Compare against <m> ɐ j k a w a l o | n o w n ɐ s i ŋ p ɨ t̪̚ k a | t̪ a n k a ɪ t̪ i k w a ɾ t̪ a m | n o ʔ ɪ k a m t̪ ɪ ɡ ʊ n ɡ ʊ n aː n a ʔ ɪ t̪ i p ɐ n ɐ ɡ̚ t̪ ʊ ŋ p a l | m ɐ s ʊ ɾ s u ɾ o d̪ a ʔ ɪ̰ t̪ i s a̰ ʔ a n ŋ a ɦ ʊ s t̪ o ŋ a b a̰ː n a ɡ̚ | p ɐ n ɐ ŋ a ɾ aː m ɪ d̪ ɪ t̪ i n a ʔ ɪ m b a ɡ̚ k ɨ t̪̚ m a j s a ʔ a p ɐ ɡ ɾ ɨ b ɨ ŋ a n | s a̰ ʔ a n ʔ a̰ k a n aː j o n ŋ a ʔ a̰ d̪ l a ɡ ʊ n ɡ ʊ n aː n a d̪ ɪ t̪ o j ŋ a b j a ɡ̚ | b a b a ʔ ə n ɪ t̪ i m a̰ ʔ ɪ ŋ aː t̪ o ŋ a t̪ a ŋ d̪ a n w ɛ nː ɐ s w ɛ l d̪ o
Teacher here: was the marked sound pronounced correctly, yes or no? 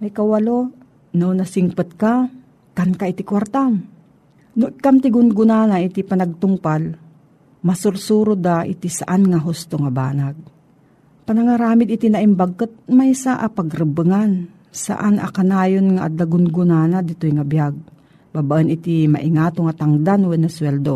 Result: yes